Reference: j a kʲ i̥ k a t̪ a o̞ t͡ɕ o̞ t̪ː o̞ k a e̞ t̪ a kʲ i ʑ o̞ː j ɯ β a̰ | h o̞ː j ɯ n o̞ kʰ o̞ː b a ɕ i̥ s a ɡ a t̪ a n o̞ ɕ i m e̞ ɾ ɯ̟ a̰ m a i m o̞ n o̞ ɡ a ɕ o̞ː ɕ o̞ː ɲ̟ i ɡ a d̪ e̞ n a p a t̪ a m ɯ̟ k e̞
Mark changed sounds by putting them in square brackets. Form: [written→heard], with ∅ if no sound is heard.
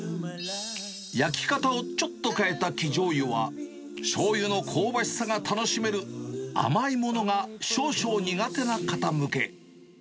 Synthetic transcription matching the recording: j a kʲ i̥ k a t̪ a o̞ t͡ɕ o̞ t̪ː o̞ k a e̞ t̪ a kʲ i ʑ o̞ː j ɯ β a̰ | [h→ɕ] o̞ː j ɯ n o̞ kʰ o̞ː b a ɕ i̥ s a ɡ a t̪ a n o̞ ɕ i m e̞ ɾ ɯ̟ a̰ m a i m o̞ n o̞ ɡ a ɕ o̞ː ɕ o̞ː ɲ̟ i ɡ a [d̪→t̪] e̞ n a [p→k] a t̪ a m ɯ̟ k e̞